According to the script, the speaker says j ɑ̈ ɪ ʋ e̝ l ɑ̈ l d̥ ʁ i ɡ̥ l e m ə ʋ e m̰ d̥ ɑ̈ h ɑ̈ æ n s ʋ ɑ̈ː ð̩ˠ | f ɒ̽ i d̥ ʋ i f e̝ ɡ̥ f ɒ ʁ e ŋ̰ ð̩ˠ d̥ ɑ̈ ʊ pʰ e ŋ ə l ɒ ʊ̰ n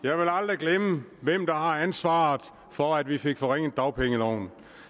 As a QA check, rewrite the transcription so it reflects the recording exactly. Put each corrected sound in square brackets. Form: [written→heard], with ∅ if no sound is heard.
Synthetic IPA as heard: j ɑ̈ ɪ ʋ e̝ l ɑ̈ l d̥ ʁ i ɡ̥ l e m ə ʋ e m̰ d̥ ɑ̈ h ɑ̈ æ n s ʋ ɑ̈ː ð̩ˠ | f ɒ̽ [i→æ] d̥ ʋ i f e̝ ɡ̥ f ɒ ʁ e ŋ̰ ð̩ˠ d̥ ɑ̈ ʊ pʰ e ŋ ə l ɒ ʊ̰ n